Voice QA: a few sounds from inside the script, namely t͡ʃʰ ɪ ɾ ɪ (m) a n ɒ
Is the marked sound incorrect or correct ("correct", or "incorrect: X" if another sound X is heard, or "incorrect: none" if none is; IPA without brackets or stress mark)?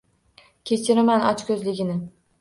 correct